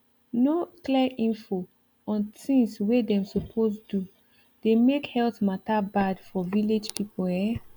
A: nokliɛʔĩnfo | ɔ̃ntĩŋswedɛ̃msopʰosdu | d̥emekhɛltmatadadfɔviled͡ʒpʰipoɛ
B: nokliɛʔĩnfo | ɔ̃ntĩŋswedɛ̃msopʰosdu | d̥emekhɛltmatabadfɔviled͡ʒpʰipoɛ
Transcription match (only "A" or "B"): B